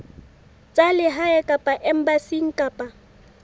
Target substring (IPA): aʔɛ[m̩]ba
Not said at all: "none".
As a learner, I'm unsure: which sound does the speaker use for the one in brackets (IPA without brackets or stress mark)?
m̩